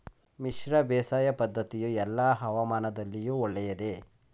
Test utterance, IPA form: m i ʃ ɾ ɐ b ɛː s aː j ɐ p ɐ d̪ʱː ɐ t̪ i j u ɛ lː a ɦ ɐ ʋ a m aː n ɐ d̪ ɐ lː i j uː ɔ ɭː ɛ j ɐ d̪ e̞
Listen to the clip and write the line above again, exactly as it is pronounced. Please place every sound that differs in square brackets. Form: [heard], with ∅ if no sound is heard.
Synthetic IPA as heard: m i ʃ ɾ ɐ b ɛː s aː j ɐ p ɐ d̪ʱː ɐ t̪ i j u ɛ lː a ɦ ɐ ʋ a m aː n ɐ d̪ ɐ lː i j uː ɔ ɭː ɛ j ɐ d̪ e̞